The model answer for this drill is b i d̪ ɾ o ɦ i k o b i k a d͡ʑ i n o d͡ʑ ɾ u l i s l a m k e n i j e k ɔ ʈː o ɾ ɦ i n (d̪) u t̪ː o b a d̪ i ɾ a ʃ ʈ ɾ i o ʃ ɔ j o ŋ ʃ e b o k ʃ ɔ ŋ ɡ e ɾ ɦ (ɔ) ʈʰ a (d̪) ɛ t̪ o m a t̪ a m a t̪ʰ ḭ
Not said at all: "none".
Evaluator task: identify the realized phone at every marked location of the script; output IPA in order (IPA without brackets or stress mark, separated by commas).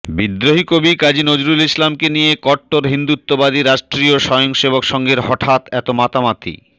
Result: d̪, ɔ, t̪